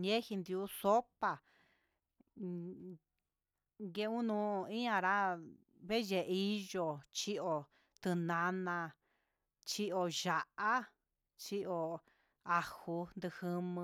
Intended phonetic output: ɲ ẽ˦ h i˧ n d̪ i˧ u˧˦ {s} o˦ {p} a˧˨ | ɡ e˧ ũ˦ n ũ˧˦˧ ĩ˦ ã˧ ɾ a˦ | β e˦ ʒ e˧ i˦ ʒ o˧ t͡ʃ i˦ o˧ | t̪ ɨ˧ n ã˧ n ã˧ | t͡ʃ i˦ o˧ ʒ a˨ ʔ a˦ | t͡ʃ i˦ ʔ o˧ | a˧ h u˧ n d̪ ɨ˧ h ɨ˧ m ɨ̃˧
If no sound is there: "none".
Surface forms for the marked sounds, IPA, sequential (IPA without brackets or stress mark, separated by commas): s, p